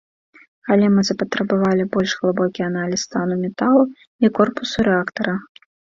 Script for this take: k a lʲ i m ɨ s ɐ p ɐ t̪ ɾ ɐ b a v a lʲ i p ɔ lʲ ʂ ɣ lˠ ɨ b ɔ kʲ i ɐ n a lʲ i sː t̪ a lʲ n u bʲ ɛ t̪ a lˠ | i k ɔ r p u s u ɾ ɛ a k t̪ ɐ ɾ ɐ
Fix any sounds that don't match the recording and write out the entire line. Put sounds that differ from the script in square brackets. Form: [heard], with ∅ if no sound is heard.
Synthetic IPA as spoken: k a lʲ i m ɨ [z] ɐ p ɐ t̪ ɾ ɐ b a v a lʲ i [b] ɔ lʲ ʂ ɣ lˠ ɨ b ɔ kʲ i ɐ n a lʲ i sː t̪ a [∅] n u [mʲ] ɛ t̪ a lˠ | i k ɔ r p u s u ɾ ɛ a k t̪ ɐ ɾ ɐ